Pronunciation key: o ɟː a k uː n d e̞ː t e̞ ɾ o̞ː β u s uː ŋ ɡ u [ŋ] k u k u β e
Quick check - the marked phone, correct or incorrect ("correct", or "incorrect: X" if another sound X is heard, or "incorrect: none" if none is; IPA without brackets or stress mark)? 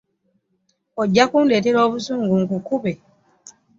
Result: correct